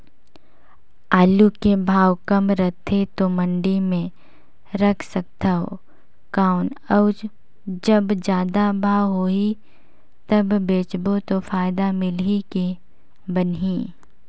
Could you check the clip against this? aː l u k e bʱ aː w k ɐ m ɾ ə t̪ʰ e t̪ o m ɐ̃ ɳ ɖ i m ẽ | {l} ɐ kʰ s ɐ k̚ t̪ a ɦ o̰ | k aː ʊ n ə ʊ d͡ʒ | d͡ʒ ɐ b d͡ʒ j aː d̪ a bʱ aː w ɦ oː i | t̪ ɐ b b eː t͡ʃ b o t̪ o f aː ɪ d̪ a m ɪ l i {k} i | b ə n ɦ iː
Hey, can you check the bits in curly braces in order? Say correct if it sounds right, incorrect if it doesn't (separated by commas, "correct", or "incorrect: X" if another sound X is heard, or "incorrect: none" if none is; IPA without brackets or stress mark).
incorrect: ɾ, correct